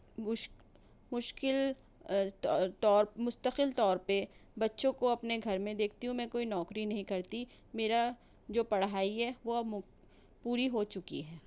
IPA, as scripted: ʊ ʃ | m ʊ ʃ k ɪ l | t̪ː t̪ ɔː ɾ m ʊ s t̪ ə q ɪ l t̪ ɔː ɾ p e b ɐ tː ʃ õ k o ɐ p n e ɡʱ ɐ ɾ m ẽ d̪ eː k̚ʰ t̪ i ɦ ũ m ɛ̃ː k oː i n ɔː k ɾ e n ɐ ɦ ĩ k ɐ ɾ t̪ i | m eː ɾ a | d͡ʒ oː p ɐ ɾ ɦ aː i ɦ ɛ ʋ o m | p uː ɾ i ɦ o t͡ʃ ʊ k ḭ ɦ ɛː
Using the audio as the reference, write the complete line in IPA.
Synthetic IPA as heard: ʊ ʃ | m ʊ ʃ k ɪ l | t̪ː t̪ ɔː ɾ m ʊ s t̪ ə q ɪ l t̪ ɔː ɾ p e b ɐ tː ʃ õ k o ɐ p n e ɡʱ ɐ ɾ m ẽ d̪ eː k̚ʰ t̪ i ɦ ũ m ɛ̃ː k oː i n ɔː k ɾ i n ɐ ɦ ĩ k ɐ ɾ t̪ i | m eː ɾ a | d͡ʒ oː p ɐ ɽ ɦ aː i ɦ ɛ ʋ o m | p uː ɾ i ɦ o t͡ʃ ʊ k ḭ ɦ ɛː